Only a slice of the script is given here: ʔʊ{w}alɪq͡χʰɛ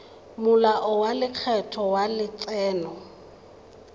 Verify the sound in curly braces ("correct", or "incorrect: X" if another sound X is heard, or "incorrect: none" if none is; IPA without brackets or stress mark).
correct